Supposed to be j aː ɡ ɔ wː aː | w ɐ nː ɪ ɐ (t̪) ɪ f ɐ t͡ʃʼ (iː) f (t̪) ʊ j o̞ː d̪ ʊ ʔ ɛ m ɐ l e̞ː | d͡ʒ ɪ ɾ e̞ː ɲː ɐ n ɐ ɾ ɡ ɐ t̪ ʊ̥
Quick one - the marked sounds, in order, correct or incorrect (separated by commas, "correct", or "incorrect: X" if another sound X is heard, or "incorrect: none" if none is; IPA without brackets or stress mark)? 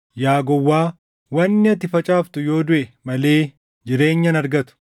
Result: correct, incorrect: aː, correct